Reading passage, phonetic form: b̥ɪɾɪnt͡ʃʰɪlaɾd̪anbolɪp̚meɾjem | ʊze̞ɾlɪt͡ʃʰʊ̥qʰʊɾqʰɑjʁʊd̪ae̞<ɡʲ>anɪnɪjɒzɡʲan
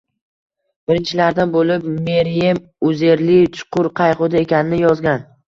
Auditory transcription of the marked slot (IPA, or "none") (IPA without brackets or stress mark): kʲ